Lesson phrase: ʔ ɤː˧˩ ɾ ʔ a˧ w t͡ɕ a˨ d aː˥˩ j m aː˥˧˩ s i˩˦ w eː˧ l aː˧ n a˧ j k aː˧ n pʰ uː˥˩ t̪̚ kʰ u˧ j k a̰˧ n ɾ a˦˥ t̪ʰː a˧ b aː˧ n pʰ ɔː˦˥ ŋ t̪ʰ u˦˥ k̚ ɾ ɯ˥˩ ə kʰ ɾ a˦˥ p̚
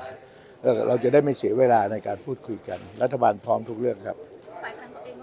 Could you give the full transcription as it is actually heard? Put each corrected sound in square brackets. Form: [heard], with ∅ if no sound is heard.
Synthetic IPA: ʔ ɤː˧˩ ɾ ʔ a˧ w t͡ɕ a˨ d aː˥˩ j m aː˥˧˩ s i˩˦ w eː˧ l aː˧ n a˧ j k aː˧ n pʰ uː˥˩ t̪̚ kʰ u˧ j k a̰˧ n ɾ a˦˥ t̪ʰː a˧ b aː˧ n pʰ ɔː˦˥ [m] t̪ʰ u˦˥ k̚ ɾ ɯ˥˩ ə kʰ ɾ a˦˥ p̚